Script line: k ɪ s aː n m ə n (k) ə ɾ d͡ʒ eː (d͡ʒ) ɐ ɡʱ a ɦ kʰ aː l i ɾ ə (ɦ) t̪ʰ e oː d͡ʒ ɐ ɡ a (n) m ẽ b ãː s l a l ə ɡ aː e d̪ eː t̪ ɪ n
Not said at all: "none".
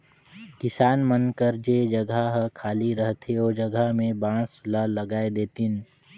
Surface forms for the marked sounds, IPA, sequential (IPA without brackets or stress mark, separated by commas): k, d͡ʒ, ɦ, none